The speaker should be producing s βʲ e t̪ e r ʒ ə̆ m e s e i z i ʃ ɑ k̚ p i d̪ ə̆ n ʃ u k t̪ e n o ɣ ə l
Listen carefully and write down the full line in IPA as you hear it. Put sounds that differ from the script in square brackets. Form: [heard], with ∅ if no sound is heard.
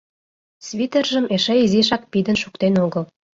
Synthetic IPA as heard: s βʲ [i] t̪ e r ʒ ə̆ m e [ʃ] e i z i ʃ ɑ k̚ p i d̪ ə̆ n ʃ u k t̪ e n o ɣ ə l